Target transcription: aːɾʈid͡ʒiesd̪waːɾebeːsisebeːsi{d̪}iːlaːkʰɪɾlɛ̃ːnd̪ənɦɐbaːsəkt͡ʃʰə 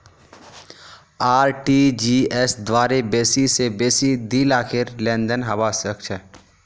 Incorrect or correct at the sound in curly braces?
correct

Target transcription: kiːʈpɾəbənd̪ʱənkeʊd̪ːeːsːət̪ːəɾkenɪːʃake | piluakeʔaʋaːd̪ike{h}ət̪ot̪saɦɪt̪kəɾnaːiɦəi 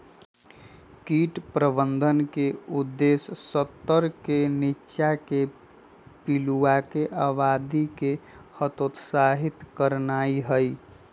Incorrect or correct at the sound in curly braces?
correct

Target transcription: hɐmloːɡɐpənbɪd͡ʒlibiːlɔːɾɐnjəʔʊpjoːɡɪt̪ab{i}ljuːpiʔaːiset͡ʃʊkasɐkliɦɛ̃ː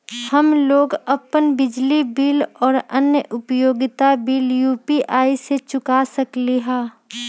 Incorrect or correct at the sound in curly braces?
incorrect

